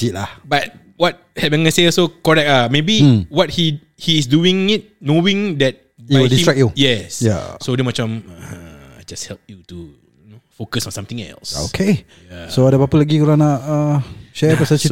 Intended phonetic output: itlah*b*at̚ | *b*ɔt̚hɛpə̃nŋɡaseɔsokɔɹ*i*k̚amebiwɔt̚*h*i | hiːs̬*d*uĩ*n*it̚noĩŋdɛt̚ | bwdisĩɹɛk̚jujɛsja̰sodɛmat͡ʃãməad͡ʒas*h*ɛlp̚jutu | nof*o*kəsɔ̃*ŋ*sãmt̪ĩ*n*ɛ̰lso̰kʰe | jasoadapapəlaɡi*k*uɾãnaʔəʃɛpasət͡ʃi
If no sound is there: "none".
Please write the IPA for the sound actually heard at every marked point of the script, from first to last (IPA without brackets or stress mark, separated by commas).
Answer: b, w, ɛ, h, d, ŋ, h, o, n, ŋ, k